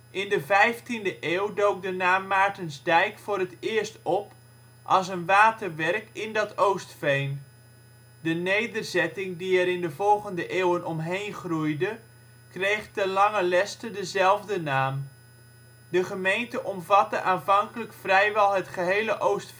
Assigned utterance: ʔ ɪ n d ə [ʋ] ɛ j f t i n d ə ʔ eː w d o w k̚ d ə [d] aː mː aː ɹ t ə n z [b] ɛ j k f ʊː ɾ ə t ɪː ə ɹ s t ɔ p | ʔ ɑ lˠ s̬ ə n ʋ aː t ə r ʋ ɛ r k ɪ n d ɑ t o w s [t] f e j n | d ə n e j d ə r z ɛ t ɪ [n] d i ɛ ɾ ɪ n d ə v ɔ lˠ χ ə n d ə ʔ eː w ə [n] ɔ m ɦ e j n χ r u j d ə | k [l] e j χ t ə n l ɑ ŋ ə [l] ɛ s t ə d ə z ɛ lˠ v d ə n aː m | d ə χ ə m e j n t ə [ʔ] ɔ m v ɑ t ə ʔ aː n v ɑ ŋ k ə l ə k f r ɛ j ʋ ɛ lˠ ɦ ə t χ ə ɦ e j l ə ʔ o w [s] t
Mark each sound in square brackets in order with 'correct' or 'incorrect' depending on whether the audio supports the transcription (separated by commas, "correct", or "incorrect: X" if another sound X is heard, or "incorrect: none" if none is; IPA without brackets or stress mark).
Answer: incorrect: v, incorrect: n, incorrect: d, correct, incorrect: ŋ, correct, incorrect: r, correct, correct, correct